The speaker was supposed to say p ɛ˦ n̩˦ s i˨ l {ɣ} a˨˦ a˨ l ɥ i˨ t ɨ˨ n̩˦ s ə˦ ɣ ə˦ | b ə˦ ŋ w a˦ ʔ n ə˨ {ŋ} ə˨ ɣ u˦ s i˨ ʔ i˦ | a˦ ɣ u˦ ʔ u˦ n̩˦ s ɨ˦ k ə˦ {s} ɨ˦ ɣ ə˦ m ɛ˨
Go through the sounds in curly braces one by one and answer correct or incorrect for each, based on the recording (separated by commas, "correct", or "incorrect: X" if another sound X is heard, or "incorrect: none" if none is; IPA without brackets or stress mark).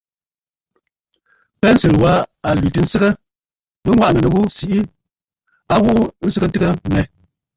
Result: incorrect: w, incorrect: n, incorrect: t